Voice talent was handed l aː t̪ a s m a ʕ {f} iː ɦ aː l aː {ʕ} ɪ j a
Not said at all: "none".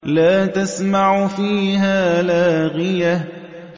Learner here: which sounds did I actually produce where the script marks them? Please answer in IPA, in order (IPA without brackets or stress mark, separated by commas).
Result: f, ɣ